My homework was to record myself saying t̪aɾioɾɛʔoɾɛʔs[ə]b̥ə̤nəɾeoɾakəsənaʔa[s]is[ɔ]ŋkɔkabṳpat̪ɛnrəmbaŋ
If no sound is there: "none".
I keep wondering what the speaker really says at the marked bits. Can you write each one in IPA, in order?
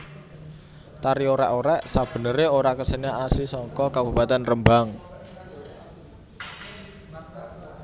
a, s, ɔ

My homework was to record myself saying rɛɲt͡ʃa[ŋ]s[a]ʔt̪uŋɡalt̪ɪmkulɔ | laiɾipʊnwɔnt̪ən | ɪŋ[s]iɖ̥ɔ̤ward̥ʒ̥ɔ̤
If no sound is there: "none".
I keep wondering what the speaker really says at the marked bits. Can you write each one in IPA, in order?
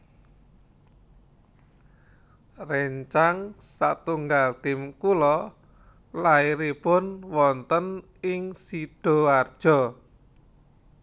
ŋ, a, s

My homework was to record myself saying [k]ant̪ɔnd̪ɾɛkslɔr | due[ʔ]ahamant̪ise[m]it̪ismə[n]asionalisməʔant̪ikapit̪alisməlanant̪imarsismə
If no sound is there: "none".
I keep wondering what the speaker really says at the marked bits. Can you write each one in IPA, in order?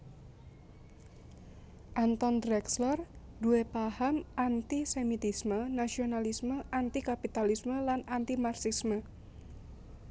ʔ, p, m, n

